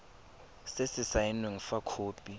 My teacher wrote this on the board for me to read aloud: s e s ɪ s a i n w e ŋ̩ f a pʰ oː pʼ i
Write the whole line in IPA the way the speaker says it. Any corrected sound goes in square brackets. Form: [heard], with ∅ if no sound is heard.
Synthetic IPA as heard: s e s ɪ s a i n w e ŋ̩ f a [kʰ] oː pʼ i

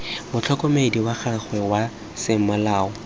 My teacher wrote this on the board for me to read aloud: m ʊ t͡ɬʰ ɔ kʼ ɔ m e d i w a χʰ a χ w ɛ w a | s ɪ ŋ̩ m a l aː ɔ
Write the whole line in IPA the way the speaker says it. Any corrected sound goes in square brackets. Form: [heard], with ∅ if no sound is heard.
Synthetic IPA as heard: m ʊ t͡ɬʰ ɔ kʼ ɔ m e d i w a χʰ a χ w ɛ w a | s ɪ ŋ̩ m a l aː ɔ

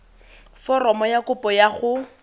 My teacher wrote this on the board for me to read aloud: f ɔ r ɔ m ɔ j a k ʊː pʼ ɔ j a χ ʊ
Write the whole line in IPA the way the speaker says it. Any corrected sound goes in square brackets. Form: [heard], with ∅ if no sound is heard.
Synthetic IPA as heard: f ɔ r ɔ m ɔ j a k [ʊ] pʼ ɔ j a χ ʊ

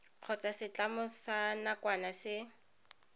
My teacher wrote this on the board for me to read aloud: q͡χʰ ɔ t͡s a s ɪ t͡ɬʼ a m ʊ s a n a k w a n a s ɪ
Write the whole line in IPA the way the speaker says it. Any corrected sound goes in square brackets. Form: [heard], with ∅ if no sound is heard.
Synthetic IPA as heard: q͡χʰ ɔ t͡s a s ɪ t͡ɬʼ a m ʊ s a n a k w a n a s ɪ

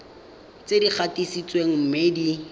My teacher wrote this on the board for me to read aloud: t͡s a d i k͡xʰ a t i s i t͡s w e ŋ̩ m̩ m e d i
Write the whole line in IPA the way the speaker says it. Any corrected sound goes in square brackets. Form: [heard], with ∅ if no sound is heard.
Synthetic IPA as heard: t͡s [e] d i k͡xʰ a t i s i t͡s w e ŋ̩ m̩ m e d i

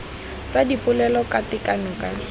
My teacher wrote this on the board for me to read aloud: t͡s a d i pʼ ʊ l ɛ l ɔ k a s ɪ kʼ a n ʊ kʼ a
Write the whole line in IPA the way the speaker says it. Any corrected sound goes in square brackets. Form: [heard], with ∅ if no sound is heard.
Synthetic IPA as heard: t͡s a d i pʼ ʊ l ɛ l ɔ k a [t] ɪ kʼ a n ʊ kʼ a

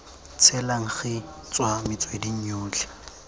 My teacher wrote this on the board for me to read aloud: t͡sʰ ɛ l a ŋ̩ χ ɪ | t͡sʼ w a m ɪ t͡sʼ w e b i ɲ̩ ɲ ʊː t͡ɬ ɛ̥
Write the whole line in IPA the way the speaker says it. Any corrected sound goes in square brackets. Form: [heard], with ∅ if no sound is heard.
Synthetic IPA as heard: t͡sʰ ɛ l a ŋ̩ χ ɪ | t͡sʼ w a m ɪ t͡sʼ w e [d] i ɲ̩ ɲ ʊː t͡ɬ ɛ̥

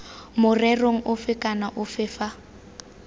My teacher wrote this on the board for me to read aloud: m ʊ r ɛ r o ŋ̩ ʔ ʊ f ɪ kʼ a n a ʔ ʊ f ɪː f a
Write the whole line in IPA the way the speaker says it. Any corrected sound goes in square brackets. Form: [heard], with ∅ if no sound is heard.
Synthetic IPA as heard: m ʊ r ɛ r o ŋ̩ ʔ ʊ f ɪ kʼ a n a ʔ ʊ f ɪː f a

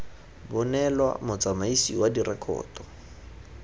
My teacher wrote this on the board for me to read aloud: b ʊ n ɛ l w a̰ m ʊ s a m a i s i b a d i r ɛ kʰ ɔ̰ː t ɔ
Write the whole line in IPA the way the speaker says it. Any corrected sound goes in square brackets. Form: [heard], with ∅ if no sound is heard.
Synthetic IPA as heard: b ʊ n ɛ l w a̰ m ʊ [t͡s] a m a i s i [w] a d i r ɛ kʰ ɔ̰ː t ɔ

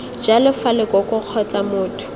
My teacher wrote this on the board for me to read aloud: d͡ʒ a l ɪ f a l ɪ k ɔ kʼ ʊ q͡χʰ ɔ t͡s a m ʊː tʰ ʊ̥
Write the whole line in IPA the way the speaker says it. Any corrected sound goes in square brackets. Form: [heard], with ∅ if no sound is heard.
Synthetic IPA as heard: d͡ʒ a l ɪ f a l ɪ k ɔ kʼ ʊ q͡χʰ ɔ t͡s a m ʊː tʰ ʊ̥

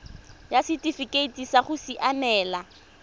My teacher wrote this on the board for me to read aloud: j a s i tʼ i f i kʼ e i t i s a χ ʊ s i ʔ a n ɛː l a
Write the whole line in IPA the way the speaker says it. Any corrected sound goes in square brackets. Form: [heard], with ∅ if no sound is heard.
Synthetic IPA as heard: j a s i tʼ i f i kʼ e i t i s a χ ʊ s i ʔ a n ɛː l a

